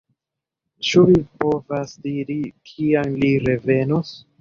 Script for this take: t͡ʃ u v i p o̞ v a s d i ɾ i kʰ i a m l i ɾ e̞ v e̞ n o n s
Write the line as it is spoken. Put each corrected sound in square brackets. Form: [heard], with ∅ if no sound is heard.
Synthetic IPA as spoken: t͡ʃ u v i p o̞ v a s d i ɾ i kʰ i a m l i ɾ e̞ v e̞ n o [∅] s